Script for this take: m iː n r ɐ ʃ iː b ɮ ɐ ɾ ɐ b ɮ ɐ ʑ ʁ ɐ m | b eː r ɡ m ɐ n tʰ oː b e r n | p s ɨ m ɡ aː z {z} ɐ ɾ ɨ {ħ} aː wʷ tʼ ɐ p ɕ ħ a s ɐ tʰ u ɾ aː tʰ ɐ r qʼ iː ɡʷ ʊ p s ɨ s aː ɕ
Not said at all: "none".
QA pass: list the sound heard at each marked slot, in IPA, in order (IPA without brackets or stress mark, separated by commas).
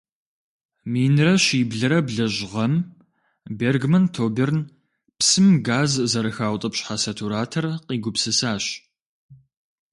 z, x